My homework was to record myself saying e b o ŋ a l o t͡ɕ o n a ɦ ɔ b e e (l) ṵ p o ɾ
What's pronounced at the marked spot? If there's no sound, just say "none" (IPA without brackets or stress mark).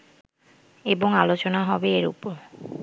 ɾ